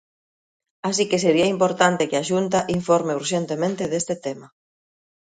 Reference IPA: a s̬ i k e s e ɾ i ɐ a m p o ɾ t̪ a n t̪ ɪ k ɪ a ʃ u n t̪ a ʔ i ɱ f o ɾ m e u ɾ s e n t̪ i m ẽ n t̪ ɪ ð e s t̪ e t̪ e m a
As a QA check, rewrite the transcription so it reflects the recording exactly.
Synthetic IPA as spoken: a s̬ i k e s e ɾ i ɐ i m p o ɾ t̪ a n t̪ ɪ k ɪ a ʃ u n t̪ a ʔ i ɱ f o ɾ m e u ɾ ʃ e n t̪ e m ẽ n t̪ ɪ ð e s t̪ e t̪ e m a